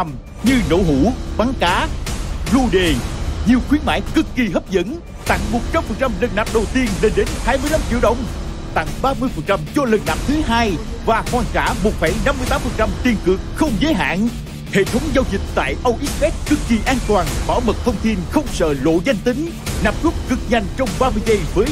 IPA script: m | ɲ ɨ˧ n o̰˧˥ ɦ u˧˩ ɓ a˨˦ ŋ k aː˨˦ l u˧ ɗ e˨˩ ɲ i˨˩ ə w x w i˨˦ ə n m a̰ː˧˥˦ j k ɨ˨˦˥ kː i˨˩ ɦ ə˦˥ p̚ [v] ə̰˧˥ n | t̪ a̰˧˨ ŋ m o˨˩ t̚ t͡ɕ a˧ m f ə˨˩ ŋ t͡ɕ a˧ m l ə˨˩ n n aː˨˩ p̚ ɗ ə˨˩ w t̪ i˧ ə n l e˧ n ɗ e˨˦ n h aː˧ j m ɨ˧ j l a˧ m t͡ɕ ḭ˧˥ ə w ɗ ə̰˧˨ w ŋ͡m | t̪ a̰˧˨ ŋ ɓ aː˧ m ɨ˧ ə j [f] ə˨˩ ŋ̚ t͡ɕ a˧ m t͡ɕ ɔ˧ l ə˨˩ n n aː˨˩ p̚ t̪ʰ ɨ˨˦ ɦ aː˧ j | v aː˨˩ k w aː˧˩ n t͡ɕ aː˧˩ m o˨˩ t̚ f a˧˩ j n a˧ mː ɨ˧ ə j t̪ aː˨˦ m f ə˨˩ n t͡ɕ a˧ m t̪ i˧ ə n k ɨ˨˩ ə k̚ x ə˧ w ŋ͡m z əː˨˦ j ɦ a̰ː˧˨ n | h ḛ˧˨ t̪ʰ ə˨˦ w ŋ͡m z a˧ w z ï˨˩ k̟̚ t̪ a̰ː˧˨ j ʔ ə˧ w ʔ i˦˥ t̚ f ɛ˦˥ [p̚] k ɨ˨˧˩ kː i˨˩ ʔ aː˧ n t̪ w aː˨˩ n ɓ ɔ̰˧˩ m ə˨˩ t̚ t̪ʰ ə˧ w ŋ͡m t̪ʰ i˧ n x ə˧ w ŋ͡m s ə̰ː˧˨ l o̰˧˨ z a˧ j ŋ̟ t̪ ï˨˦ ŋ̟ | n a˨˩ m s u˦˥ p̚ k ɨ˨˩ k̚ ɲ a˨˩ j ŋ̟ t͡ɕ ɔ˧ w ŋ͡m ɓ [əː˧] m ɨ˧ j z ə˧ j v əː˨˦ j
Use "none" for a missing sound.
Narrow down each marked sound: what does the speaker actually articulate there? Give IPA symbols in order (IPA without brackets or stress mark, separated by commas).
z, f, t̚, aː˧